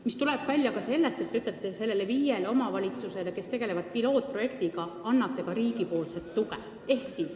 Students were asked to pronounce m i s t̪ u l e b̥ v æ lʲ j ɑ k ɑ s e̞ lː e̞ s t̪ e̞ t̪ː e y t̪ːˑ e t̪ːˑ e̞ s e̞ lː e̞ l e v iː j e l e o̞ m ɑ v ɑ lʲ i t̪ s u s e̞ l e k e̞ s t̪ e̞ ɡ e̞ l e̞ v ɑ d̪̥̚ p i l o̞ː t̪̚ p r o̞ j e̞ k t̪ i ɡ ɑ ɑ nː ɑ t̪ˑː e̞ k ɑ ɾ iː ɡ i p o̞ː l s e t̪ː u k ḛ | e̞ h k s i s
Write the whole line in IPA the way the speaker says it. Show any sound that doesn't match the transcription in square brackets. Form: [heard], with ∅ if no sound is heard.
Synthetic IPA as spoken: m i s t̪ u l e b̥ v æ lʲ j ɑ k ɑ s e̞ lː e̞ s t̪ e̞ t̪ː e y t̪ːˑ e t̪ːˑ e̞ s e̞ lː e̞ l e v iː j e l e o̞ m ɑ v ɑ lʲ i t̪ s u s e̞ l e k e̞ s t̪ e̞ ɡ e̞ l e̞ v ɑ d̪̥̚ p i l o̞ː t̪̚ p r o̞ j e̞ k t̪ i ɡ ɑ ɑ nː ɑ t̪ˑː e̞ k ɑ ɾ iː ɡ i p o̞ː l s e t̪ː u k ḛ | e̞ h k s i s